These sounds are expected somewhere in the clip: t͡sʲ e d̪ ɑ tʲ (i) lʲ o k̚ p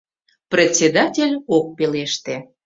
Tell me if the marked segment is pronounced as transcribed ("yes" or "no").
no